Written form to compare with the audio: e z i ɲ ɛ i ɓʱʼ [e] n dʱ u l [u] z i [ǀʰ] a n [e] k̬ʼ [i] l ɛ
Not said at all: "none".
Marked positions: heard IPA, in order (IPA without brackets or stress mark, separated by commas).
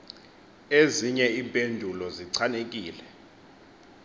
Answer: e, ɔ, ǀʰ, e, iː